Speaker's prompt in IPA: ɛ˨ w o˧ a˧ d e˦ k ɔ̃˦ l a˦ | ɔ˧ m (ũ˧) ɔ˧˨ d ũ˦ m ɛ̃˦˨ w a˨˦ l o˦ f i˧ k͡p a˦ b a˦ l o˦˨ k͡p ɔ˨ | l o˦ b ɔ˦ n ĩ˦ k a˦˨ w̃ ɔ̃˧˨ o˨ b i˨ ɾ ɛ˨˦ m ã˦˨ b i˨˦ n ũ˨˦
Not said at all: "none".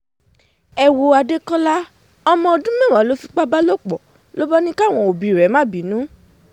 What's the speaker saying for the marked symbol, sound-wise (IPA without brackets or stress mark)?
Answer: ɔ̃˧